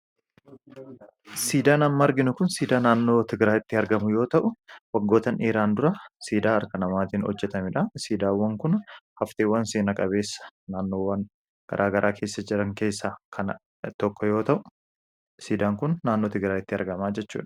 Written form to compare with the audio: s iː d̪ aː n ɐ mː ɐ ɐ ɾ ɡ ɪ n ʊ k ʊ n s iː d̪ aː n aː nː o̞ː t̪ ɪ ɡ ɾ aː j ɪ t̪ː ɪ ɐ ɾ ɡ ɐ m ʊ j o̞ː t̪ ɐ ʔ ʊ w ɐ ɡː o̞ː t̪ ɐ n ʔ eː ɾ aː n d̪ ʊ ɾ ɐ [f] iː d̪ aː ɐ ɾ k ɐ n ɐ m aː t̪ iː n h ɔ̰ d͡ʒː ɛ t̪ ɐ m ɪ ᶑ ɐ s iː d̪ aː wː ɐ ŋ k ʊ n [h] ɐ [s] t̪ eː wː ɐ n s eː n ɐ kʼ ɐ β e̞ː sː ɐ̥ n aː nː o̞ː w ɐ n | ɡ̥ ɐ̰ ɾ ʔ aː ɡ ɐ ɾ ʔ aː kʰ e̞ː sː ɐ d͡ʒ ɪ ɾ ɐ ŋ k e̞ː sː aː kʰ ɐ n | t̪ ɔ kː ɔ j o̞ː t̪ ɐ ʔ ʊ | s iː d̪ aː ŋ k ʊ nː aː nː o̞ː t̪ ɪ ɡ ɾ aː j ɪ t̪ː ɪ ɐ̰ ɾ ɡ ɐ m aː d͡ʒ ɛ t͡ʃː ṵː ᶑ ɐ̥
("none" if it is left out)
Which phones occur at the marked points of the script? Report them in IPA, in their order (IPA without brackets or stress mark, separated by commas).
s, h, f